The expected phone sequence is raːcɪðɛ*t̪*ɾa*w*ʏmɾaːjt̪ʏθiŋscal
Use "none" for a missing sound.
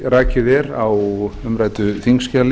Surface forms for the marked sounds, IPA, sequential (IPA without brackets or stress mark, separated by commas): none, w